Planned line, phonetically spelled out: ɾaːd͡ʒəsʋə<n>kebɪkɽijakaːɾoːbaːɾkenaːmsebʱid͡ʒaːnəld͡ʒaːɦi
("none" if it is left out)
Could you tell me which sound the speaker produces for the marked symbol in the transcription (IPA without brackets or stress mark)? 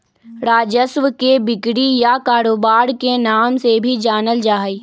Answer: none